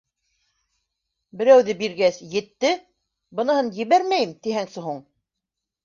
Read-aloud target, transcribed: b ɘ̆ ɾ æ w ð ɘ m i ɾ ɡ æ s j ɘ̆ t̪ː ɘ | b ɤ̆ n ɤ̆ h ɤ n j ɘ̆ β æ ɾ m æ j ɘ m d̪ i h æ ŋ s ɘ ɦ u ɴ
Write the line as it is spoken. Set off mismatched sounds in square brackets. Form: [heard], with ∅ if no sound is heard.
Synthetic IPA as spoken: b ɘ̆ ɾ æ w ð ɘ [b] i ɾ ɡ æ s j ɘ̆ t̪ː ɘ | b ɤ̆ n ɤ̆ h ɤ n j ɘ̆ β æ ɾ m æ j ɘ m [t̪] i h æ ŋ s ɘ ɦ u ɴ